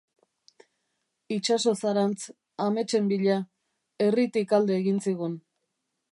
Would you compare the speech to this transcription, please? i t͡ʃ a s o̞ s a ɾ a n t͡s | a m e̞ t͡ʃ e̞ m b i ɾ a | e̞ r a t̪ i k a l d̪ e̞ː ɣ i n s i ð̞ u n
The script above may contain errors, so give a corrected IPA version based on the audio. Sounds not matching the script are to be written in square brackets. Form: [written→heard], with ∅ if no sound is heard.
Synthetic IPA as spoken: i t͡ʃ a s o̞ s a ɾ a n t͡s | a m e̞ t͡ʃ e̞ m b i [ɾ→ʎ] a | e̞ r [a→i] t̪ i k a l d̪ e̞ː ɣ i n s i [ð̞→ɣ̞] u n